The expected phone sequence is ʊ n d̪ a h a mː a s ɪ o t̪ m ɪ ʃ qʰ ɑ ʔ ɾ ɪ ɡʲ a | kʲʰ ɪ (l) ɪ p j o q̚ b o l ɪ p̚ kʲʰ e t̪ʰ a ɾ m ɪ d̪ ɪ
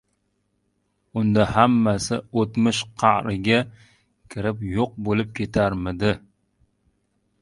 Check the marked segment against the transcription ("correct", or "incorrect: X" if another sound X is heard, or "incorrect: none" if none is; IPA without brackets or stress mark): incorrect: ɾ